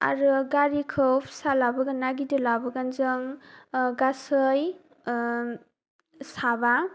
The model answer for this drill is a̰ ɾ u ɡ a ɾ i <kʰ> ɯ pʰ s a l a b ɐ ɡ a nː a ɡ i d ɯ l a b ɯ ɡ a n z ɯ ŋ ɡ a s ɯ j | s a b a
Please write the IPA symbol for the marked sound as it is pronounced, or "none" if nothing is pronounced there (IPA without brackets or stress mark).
kʰ